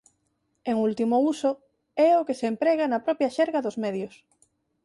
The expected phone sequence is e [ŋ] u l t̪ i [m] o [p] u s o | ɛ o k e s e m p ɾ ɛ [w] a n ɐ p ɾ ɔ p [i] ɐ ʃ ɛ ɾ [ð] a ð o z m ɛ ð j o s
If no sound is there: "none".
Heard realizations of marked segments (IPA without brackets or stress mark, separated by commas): ŋ, m, none, ɣ, j, ɣ